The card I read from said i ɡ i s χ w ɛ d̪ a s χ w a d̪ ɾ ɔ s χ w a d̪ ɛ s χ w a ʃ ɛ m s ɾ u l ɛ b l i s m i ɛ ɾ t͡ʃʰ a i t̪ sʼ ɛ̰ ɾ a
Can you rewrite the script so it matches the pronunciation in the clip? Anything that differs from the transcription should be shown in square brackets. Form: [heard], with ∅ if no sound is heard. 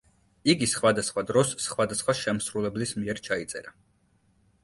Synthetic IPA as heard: i ɡ i s χ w [a] d̪ a s χ w a d̪ ɾ ɔ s χ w a d̪ [a] s χ w a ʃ ɛ m s ɾ u l ɛ b l i s m i ɛ ɾ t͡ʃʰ a i t̪ sʼ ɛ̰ ɾ a